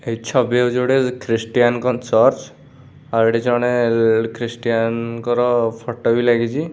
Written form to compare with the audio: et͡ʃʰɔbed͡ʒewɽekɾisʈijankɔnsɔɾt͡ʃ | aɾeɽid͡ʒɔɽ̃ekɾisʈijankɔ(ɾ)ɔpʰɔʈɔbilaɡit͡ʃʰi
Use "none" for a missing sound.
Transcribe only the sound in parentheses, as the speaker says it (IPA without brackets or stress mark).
ɾ